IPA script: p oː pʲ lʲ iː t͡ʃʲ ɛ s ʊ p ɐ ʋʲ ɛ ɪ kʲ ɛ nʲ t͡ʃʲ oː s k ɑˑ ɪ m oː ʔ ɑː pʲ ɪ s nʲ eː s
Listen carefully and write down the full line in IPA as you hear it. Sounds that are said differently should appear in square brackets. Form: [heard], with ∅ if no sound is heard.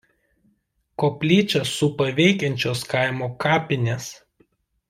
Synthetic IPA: [k] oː pʲ lʲ iː t͡ʃʲ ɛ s ʊ p ɐ ʋʲ ɛ ɪ kʲ ɛ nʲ t͡ʃʲ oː s k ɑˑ ɪ m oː [k] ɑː pʲ ɪ [∅] nʲ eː s